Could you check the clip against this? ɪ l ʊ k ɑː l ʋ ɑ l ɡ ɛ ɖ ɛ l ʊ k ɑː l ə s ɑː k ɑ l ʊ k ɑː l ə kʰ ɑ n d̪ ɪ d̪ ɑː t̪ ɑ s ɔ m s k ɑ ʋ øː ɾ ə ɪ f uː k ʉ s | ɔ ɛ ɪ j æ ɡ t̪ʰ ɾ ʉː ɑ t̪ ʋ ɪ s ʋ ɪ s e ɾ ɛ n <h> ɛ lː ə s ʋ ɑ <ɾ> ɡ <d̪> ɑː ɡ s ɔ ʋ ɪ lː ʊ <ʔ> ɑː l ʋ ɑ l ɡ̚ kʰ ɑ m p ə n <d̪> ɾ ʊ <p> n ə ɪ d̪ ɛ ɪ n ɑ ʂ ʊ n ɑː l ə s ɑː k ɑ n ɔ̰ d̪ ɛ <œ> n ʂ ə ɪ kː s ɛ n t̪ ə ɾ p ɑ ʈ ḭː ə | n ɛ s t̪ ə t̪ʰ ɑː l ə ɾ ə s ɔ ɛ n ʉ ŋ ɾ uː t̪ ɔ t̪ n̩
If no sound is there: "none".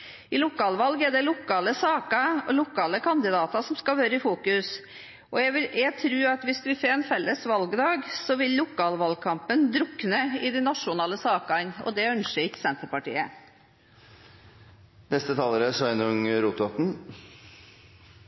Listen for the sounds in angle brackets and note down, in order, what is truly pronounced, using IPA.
f, l, d̪, k, d̪, k, œ

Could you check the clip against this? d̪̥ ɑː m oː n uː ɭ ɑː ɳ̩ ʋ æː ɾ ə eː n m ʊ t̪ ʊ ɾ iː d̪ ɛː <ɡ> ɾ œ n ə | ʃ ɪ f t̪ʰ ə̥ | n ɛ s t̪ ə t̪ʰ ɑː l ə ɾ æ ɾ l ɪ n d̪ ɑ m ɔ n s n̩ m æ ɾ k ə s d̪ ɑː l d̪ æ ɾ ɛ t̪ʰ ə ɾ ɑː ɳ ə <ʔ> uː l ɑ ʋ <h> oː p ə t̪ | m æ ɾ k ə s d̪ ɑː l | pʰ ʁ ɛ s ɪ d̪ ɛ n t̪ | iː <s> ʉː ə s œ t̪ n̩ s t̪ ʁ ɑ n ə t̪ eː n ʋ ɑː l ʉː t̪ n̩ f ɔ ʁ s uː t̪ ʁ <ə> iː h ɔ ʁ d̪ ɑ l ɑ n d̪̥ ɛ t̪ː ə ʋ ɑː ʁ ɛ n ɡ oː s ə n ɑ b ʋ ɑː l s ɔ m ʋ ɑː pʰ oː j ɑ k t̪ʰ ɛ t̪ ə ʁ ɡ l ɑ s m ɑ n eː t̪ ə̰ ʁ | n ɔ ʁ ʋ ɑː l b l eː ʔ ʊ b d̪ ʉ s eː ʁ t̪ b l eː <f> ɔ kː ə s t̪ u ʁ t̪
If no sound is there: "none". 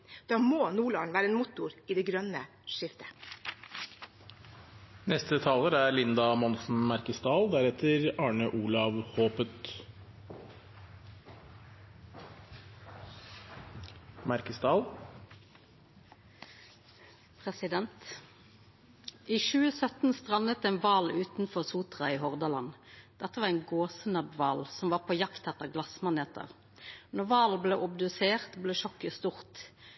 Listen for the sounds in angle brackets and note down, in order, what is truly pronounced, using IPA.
ɡ, ʔ, h, ʃ, ɑ, ʃ

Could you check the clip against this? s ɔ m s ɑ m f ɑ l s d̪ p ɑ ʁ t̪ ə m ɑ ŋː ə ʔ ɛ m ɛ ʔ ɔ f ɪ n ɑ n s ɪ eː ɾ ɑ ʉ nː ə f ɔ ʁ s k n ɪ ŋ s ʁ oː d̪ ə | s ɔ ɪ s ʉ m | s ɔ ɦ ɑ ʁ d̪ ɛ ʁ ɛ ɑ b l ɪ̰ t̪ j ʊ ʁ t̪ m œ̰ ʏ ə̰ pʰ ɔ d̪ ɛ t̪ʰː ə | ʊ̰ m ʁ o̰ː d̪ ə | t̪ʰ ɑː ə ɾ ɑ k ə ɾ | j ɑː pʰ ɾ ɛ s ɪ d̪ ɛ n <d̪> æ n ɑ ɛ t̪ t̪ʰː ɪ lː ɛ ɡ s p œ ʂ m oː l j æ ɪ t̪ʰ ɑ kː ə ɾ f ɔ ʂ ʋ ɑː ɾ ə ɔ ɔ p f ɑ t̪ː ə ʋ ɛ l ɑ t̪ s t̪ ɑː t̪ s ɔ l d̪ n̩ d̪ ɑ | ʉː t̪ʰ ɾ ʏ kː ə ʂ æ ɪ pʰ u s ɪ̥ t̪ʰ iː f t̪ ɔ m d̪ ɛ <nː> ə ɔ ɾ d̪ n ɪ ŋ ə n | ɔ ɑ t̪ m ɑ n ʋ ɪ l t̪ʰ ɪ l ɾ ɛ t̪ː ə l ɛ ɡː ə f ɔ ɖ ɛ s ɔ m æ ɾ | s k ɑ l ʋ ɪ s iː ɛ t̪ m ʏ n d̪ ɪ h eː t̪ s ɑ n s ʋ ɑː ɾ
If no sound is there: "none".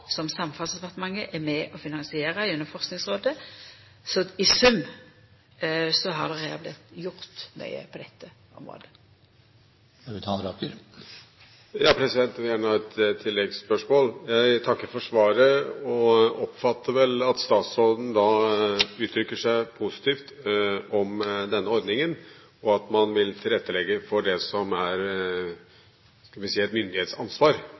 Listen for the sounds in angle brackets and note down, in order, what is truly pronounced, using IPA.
t̪, nː

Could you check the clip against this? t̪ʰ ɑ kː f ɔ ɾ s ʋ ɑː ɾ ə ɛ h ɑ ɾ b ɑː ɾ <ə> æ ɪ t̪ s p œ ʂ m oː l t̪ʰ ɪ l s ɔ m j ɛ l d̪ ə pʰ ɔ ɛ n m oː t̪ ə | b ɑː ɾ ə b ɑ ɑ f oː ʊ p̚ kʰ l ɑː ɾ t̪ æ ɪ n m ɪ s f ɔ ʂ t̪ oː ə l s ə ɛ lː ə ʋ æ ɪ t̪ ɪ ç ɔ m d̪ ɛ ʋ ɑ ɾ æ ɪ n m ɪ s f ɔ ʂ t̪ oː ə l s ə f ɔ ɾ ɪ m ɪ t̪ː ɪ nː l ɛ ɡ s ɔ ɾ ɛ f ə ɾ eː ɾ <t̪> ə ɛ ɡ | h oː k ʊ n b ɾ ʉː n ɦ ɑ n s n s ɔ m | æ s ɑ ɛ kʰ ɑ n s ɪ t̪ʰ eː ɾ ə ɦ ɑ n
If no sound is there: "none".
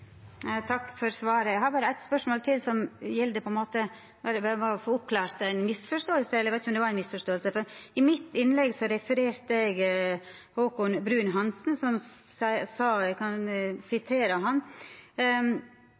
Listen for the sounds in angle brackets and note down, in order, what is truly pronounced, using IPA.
ə, t̪

